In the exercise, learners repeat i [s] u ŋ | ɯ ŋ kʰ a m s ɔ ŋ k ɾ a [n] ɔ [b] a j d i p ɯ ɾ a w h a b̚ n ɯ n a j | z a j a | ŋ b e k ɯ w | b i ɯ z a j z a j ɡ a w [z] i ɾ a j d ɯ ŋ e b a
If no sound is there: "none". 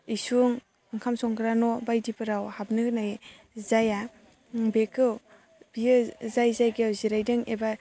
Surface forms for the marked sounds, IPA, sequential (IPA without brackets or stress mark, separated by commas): s, n, b, z